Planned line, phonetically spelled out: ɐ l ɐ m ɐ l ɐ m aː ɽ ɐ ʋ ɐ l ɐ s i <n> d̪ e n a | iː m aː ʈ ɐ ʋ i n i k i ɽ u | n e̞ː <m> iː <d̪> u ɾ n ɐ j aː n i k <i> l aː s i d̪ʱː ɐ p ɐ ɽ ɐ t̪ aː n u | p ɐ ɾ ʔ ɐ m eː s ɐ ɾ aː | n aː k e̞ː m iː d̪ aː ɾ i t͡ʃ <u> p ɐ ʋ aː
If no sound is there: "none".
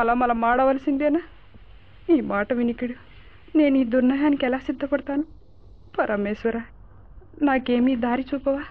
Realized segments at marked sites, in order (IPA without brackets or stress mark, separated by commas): n, n, d̪, ɛ, uː